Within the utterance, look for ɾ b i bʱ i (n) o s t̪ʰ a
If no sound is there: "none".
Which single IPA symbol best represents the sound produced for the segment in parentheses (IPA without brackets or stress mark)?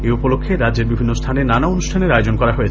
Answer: nː